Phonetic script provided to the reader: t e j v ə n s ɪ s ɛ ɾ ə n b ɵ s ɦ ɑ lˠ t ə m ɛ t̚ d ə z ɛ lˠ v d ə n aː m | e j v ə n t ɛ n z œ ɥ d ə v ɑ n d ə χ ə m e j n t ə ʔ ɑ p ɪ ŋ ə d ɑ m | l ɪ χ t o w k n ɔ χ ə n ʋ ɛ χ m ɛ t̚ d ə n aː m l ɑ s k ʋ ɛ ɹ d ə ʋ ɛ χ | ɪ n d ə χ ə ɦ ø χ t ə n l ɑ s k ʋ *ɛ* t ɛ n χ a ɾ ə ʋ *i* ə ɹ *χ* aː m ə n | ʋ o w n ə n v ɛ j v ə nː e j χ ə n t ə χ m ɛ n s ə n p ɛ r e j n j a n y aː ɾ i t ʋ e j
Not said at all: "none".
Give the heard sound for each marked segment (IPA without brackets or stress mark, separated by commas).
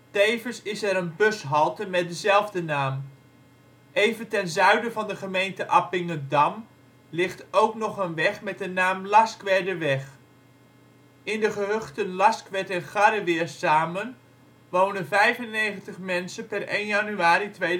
ɛ, ɪ, s